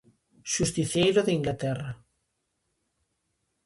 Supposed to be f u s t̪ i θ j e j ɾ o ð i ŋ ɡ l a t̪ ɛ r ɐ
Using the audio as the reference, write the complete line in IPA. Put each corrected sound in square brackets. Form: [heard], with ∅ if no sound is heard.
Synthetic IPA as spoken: [ʃ] u s t̪ i θ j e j ɾ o ð i ŋ ɡ l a t̪ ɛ r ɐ